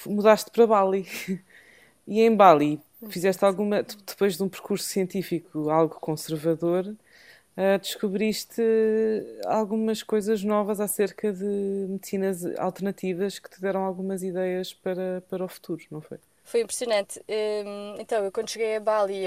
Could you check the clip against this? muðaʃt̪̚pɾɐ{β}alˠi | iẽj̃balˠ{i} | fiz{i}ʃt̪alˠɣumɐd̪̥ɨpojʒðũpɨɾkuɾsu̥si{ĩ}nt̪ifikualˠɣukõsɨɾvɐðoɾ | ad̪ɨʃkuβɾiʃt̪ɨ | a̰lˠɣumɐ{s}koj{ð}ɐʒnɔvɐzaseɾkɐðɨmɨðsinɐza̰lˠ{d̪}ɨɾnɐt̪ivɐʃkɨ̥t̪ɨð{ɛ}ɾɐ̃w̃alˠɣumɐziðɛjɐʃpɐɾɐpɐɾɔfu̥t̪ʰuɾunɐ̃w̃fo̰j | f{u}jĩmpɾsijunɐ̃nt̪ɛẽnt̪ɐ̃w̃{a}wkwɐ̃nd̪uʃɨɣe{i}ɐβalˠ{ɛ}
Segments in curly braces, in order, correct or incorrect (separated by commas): correct, correct, incorrect, incorrect, incorrect, incorrect, incorrect, correct, incorrect, incorrect, incorrect, incorrect